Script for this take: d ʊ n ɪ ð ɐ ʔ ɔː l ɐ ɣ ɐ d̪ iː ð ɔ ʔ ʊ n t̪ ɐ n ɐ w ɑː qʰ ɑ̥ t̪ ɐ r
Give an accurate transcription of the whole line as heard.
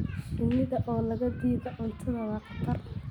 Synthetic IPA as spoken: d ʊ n ɪ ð ɐ ʔ ɔː l ɐ ɣ ɐ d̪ iː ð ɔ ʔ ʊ n t̪ʰ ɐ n ɐ w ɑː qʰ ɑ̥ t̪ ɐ r